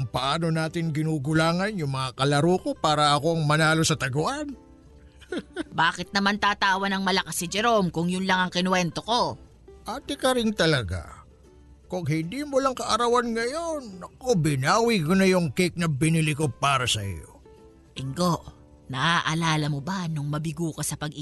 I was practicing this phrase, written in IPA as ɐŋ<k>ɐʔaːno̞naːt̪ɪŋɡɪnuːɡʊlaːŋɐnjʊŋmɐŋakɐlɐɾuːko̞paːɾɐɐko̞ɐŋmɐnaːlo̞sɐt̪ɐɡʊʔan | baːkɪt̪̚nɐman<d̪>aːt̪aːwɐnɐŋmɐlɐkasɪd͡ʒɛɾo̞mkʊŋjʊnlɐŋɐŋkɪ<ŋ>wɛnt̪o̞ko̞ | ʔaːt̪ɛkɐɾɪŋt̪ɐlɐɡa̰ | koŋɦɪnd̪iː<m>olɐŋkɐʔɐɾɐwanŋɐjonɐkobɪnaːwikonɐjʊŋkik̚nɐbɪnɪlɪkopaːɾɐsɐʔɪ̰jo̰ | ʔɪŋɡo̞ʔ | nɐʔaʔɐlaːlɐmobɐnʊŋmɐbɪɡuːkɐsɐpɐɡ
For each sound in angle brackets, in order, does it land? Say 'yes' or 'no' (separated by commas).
no, no, no, yes